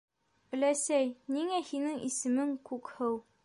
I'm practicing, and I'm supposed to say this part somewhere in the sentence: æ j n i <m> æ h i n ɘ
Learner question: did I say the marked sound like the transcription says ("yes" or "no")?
no